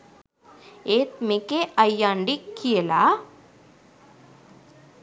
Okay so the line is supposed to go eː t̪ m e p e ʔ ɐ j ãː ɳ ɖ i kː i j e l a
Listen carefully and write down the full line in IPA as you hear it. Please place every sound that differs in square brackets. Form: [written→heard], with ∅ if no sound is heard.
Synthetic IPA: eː t̪ m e [p→k] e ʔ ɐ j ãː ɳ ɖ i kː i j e l a